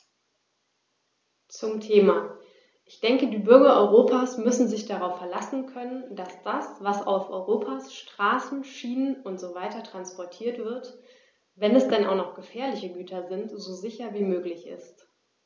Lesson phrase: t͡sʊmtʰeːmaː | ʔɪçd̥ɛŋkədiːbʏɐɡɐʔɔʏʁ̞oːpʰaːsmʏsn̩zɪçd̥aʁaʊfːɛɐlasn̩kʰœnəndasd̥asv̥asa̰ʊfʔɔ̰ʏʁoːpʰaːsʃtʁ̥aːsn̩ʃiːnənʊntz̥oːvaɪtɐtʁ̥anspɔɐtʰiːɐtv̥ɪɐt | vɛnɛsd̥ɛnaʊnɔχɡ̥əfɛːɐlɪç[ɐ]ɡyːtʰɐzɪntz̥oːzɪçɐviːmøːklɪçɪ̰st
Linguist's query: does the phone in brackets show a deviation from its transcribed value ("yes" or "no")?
yes